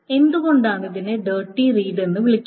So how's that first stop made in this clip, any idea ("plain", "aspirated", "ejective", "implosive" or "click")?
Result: plain